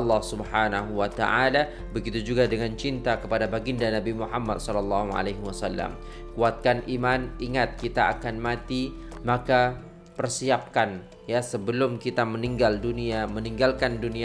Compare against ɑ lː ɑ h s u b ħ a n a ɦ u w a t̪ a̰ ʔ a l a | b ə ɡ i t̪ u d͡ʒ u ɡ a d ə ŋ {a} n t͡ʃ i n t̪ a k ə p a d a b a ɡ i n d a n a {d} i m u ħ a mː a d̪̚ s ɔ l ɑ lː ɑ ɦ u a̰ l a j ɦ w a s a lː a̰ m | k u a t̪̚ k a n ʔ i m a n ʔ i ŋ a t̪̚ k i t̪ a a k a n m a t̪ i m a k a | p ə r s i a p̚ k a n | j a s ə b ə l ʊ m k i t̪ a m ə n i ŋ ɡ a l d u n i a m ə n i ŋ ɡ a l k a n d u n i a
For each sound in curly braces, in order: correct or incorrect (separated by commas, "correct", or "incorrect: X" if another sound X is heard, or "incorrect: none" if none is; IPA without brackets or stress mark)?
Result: correct, incorrect: b